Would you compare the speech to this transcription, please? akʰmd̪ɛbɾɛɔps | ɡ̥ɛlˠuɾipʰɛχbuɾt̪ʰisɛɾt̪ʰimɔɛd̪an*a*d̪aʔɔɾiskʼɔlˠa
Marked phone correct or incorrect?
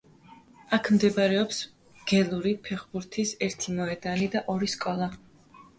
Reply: incorrect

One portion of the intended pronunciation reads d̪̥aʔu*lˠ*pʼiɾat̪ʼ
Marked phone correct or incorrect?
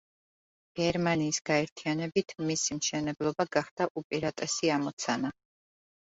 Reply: incorrect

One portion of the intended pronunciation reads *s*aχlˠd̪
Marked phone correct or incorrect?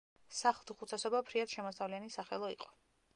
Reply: correct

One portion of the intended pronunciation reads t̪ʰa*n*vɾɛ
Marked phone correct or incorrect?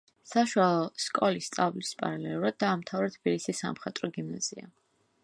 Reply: incorrect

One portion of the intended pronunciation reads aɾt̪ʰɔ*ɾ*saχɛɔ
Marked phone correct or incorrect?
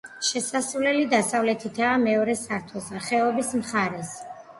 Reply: incorrect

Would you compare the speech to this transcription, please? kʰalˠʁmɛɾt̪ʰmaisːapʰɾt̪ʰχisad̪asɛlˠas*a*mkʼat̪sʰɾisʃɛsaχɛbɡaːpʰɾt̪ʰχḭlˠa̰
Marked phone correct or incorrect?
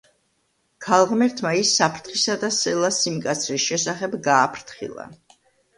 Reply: incorrect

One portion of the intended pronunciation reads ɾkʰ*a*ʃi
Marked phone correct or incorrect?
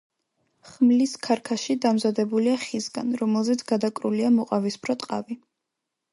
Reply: correct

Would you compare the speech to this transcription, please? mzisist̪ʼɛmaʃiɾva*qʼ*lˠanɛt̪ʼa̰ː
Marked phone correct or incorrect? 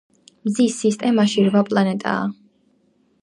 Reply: incorrect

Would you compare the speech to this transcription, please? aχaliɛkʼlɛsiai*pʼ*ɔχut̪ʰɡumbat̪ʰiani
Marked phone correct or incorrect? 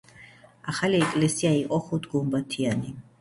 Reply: incorrect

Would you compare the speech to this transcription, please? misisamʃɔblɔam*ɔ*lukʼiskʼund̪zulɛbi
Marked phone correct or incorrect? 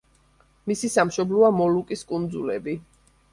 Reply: correct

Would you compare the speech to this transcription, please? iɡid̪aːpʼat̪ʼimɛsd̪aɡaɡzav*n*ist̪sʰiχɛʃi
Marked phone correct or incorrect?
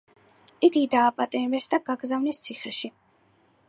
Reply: correct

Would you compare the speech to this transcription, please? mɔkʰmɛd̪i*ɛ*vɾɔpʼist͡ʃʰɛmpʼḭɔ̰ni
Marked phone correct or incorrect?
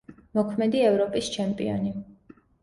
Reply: correct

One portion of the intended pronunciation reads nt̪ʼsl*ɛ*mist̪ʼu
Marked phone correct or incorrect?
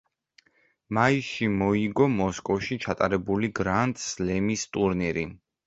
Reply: correct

